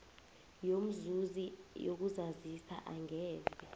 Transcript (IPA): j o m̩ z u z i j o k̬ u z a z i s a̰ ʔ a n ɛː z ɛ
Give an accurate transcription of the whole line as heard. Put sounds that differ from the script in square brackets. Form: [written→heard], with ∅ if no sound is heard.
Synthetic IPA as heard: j o m̩ z u z i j o k̬ u z a z i s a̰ ʔ a [n→ŋ] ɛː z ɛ